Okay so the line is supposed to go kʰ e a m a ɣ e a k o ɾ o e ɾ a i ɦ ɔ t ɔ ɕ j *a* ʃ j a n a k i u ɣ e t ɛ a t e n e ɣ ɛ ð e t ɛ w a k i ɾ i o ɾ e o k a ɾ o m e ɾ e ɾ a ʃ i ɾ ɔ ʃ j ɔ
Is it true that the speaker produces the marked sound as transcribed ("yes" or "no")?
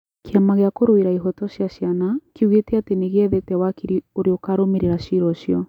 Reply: yes